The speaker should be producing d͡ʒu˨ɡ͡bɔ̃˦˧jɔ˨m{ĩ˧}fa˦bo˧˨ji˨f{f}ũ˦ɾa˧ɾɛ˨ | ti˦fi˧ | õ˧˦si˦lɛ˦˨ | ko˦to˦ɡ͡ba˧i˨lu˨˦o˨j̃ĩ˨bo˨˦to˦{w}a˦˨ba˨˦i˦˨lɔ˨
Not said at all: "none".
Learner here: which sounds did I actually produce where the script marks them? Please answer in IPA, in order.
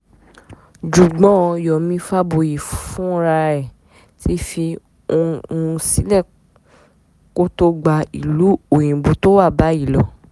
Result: ĩ˧, f, w

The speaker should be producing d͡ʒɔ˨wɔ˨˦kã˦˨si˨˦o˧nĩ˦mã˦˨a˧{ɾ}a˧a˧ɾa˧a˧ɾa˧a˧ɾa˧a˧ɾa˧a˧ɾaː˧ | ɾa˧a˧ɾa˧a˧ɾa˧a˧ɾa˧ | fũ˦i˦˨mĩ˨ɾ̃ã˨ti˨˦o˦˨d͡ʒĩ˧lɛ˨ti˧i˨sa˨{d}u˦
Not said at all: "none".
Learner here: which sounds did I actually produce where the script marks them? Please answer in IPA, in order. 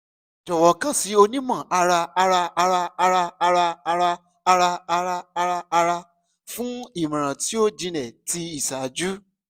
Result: ɾ, d͡ʒ

